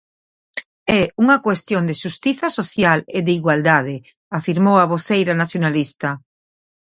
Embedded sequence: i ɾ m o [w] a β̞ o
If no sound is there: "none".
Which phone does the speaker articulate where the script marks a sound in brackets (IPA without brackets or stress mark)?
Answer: w